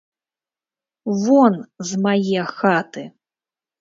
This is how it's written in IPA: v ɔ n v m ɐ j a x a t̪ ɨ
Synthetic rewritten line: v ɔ n z m a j ɛ x a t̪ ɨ